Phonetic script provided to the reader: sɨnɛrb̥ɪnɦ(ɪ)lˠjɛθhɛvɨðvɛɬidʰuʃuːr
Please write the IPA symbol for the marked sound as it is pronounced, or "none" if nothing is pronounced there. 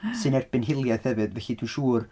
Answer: ɪ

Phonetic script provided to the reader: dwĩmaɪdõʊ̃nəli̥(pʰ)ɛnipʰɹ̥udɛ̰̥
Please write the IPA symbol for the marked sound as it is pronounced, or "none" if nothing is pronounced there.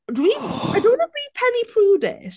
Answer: pʰ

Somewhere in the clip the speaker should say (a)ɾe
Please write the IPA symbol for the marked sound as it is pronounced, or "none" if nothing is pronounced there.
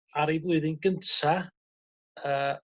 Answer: a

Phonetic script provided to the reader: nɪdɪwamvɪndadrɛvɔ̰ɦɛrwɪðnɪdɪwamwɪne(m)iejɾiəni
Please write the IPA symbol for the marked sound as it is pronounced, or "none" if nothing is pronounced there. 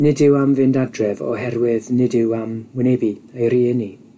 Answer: b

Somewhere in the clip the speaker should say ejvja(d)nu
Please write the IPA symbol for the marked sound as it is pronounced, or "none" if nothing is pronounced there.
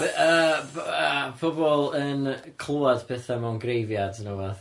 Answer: d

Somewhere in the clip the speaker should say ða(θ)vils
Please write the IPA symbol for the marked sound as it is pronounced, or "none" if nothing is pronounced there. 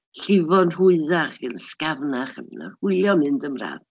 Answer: χ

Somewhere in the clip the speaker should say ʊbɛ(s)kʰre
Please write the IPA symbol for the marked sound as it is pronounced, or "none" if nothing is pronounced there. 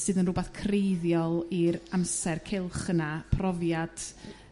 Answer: θ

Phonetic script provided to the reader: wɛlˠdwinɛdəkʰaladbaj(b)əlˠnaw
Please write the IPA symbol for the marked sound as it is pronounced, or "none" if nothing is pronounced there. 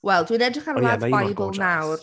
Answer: b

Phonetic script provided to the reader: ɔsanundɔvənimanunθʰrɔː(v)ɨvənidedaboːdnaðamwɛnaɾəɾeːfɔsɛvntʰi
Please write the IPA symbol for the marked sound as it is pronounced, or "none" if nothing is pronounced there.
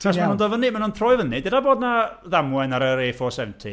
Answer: none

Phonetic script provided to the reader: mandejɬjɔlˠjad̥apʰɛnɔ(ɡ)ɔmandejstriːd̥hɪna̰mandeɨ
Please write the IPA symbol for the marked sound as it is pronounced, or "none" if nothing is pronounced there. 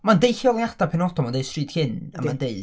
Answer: d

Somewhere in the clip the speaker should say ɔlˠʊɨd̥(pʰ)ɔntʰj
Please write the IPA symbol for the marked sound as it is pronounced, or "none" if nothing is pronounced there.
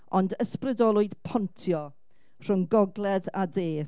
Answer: pʰ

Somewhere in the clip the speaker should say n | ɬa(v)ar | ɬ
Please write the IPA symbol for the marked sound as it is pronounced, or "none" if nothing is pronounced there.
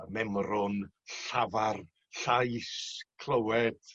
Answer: v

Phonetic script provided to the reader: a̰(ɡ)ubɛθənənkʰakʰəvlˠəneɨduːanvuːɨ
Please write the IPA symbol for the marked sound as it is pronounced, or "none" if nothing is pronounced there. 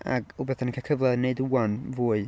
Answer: ɡ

